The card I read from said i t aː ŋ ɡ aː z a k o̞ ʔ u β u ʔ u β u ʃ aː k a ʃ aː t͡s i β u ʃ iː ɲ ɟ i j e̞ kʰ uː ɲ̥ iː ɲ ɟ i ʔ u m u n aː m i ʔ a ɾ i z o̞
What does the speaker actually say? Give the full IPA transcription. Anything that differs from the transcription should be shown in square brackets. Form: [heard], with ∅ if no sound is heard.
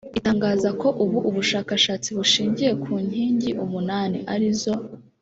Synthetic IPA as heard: i t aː ŋ ɡ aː z a k o̞ ʔ u β u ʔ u β u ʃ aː k a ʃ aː t͡s i β u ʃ iː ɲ ɟ i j e̞ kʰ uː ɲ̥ iː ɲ ɟ i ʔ u m u n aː [n] i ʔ a ɾ i z o̞